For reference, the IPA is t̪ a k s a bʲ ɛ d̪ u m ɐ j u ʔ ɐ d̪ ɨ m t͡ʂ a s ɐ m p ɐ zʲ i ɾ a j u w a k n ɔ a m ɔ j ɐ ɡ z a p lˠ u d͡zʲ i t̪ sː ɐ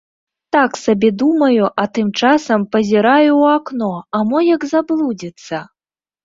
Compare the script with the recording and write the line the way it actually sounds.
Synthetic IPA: t̪ a k s a bʲ ɛ d̪ u m ɐ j u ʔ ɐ t̪ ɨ m t͡ʂ a s ɐ m p ɐ zʲ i ɾ a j u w a k n ɔ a m ɔ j ɐ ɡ z a b lˠ u d͡zʲ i t̪ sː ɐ